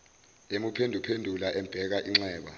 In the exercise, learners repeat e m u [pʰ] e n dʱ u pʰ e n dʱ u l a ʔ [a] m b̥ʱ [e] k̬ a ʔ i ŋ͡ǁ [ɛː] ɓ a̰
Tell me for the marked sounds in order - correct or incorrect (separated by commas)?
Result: correct, incorrect, incorrect, correct